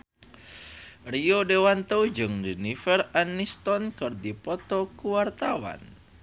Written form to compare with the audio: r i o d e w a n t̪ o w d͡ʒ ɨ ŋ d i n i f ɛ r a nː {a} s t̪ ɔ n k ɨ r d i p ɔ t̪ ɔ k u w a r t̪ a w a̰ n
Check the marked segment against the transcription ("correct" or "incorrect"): incorrect